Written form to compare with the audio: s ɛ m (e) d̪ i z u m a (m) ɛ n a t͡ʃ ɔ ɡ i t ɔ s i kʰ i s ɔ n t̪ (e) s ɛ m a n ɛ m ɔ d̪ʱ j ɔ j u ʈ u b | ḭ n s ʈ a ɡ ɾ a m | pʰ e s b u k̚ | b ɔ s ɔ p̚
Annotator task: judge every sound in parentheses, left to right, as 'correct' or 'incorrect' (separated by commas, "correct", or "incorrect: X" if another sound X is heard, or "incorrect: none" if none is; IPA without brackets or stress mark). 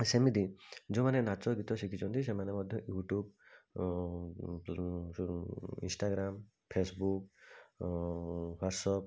incorrect: i, incorrect: n, incorrect: i